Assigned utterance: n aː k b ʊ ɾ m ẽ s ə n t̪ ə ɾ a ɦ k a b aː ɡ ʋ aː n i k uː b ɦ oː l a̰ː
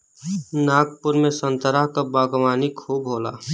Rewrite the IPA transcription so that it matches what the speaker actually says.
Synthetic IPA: n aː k p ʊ ɾ m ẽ s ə n t̪ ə ɾ a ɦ k a b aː ɡ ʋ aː n i kʰ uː b ɦ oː l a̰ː